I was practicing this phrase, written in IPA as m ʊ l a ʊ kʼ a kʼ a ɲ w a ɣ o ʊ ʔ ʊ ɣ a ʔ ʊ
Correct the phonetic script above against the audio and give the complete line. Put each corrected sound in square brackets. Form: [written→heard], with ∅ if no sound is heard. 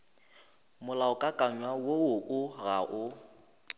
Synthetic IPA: m ʊ l a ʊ kʼ a kʼ a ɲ w a [ɣ→w] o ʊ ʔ ʊ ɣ a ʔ ʊ